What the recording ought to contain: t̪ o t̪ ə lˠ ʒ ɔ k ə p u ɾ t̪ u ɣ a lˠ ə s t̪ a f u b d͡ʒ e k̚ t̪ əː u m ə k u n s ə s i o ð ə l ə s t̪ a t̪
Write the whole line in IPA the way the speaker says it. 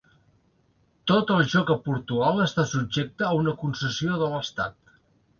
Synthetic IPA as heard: t̪ o t̪ ə lˠ ʒ ɔ k ə p u ɾ t̪ u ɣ a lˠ ə s t̪ a s u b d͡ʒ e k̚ t̪ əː u n ə k u n s ə s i o ð ə l ə s t̪ a t̪